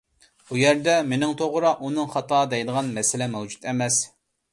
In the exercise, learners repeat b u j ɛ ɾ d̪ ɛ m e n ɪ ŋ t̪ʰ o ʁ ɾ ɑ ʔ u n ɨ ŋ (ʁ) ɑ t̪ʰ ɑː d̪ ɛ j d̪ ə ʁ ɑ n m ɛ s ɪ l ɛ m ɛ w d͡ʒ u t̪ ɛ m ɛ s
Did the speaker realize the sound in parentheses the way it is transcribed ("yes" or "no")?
no